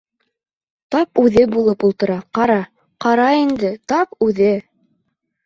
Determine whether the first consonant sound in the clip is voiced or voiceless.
voiceless